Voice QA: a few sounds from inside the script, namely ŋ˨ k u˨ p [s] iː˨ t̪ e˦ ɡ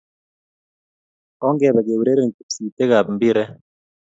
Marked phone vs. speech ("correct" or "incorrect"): correct